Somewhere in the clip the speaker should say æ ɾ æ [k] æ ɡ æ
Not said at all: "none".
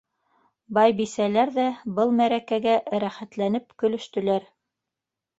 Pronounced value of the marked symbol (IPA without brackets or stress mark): k